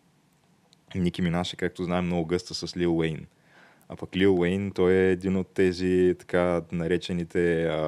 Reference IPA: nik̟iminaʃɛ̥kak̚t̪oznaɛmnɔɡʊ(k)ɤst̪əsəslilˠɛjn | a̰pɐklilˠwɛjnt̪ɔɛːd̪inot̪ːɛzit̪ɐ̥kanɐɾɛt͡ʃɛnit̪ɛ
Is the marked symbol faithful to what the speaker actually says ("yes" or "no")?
no